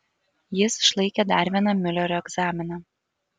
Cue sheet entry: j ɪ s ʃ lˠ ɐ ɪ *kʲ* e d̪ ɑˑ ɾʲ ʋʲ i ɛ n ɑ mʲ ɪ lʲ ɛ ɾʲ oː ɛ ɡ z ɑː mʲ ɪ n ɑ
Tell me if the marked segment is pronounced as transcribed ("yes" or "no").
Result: yes